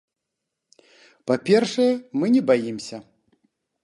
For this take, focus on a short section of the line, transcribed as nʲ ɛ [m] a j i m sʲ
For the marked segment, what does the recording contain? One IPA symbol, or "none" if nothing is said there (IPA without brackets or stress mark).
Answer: b